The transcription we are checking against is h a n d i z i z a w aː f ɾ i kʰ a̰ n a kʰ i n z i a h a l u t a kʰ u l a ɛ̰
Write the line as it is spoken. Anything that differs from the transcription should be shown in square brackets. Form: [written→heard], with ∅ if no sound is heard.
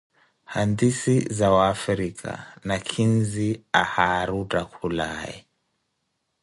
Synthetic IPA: h a n d i [z→s] i z a w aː f ɾ i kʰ a̰ n a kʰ i n z i a h a [l→ɾ] u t a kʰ u l a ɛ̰